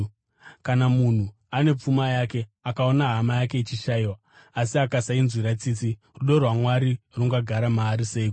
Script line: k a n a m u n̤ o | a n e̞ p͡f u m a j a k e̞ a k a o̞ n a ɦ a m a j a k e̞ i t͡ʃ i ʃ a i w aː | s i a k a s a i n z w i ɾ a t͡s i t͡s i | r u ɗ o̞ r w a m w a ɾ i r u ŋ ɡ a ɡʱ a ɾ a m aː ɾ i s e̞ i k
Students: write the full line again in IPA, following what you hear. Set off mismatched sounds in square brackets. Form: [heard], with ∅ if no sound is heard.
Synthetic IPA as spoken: k a n a m u n̤ [u] | a n e̞ p͡f u m a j a k e̞ a k a o̞ n a ɦ a m a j a k e̞ i t͡ʃ i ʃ a i w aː | s i a k a s a i n z w i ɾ a t͡s i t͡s i | r u ɗ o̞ r w a m w a ɾ i r u ŋ ɡ a ɡʱ a ɾ a m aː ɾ i s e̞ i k

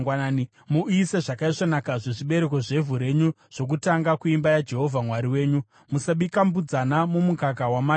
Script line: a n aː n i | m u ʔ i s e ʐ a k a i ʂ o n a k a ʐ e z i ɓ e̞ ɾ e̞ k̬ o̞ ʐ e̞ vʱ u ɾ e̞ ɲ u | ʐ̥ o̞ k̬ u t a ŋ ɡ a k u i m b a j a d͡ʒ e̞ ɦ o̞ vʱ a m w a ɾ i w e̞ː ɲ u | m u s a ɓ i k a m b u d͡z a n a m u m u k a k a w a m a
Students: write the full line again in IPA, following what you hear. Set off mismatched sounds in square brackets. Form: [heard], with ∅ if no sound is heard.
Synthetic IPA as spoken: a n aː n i | m u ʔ i s e ʐ a k a i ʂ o n a k a ʐ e [ʐ] i ɓ e̞ ɾ e̞ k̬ o̞ ʐ e̞ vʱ u ɾ e̞ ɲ u | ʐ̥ o̞ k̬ u t a ŋ ɡ a k u i m b a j a d͡ʒ e̞ ɦ o̞ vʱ a m w a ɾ i w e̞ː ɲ u | m u s a ɓ i k a m b u d͡z a n a m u m u k a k a w a m a

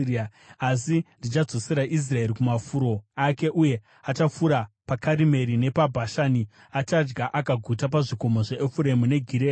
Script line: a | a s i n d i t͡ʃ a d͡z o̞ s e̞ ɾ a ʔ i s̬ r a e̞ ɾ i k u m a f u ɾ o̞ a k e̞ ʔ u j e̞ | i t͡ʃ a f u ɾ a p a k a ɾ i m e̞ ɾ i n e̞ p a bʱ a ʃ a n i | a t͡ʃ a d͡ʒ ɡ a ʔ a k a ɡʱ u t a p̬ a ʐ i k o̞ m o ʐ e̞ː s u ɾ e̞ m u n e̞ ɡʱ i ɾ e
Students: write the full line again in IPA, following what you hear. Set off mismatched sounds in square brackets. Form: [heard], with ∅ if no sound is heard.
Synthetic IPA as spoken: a | a s i n d i t͡ʃ a d͡z o̞ s e̞ ɾ a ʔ i s̬ r a e̞ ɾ i k u m a f u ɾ o̞ a k e̞ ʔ u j e̞ | [a] t͡ʃ a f u ɾ a p a k a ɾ i m e̞ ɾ i n e̞ p a bʱ a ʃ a n i | a t͡ʃ a d͡ʒ ɡ a ʔ a k a ɡʱ u t a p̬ a ʐ i k o̞ m o ʐ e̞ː [f] u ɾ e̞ m u n e̞ ɡʱ i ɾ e

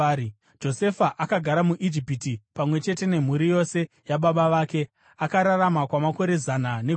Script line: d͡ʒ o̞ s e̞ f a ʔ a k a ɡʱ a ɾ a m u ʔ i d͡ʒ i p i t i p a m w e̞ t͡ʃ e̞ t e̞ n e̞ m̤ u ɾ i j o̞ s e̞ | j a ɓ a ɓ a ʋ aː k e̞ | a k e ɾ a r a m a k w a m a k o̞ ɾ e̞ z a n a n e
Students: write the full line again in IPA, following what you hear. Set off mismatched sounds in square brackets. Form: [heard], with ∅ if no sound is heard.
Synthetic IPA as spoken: d͡ʒ o̞ s e̞ f a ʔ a k a ɡʱ a ɾ a m u ʔ i d͡ʒ i p i t i p a m w e̞ t͡ʃ e̞ t e̞ n e̞ m̤ u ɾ i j o̞ s e̞ | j a ɓ a ɓ a ʋ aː k e̞ | a k [a] ɾ a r a m a k w a m a k o̞ ɾ e̞ z a n a n e

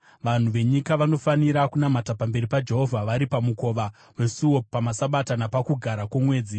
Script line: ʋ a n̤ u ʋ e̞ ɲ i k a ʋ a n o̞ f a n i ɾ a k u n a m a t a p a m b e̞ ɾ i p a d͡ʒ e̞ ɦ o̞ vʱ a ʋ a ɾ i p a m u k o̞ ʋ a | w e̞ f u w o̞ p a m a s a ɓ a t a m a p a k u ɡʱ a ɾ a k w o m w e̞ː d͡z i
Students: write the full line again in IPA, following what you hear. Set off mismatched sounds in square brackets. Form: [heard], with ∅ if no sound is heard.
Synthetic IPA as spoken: ʋ a n̤ u ʋ e̞ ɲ i k a ʋ a n o̞ f a n i ɾ a k u n a m a t a p a m b e̞ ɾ i p a d͡ʒ e̞ ɦ o̞ vʱ a ʋ a ɾ i p a m u k o̞ ʋ a | w e̞ [s] u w o̞ p a m a s a ɓ a t a [n] a p a k u ɡʱ a ɾ a k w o m w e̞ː d͡z i

